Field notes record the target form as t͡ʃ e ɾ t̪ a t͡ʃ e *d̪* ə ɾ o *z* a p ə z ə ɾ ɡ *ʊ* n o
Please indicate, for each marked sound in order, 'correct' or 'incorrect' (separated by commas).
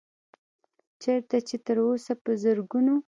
incorrect, incorrect, incorrect